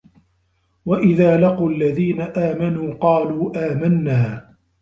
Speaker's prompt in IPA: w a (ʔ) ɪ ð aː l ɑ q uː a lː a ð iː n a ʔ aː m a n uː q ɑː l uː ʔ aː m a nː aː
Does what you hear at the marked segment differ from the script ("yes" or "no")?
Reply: no